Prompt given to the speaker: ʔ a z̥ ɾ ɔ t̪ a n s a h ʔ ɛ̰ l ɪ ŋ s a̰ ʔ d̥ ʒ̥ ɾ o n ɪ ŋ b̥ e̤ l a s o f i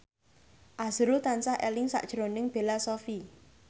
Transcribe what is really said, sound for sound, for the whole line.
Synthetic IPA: ʔ a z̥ ɾ u t̪ a n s a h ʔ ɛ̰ l ɪ ŋ s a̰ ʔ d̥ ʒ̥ ɾ o n ɪ ŋ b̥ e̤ l a s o f i